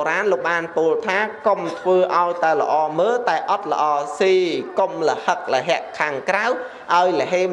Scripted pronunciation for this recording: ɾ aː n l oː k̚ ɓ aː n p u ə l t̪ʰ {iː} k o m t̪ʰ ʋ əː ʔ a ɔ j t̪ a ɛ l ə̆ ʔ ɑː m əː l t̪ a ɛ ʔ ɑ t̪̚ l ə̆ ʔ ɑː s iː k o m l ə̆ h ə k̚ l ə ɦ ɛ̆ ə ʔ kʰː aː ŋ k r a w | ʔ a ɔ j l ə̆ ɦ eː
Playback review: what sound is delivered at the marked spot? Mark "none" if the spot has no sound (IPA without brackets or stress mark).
aː